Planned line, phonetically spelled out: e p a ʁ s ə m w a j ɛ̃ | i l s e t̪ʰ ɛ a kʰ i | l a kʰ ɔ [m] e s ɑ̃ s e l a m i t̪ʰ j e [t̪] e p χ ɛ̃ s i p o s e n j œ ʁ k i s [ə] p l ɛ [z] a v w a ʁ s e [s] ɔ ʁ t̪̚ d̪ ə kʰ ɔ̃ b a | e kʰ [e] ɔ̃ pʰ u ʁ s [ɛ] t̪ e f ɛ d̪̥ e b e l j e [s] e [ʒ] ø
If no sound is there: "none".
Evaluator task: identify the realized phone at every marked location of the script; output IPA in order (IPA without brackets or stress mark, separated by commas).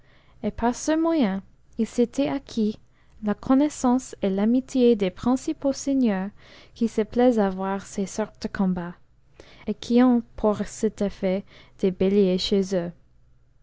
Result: n, d̪, ə, z, s, i, ɛ, ʃ, z